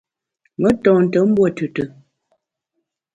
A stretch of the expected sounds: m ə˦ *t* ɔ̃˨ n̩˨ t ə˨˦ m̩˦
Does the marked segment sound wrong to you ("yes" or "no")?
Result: no